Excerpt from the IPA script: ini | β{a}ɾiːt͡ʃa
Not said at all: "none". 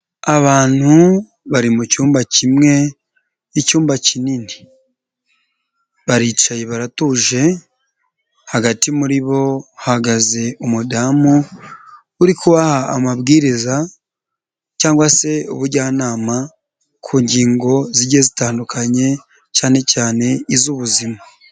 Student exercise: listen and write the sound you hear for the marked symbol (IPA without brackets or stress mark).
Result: a